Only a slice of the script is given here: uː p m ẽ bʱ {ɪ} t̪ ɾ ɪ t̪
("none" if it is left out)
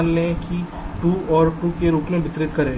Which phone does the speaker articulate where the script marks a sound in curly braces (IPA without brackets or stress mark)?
ɪ